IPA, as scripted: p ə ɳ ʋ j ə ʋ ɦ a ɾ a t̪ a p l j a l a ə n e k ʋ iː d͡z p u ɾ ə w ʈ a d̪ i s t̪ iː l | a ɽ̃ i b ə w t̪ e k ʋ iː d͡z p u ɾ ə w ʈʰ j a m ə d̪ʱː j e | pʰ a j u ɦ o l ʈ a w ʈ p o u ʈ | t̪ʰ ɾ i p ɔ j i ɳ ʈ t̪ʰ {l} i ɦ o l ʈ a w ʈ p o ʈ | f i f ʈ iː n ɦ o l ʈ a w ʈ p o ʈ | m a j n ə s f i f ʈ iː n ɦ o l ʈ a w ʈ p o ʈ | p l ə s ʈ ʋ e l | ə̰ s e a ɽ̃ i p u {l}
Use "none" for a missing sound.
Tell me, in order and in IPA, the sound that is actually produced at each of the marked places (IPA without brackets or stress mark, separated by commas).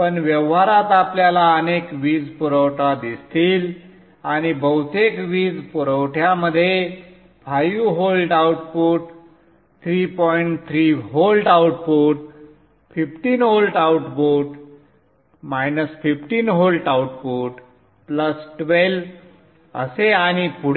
ɾ, ɽ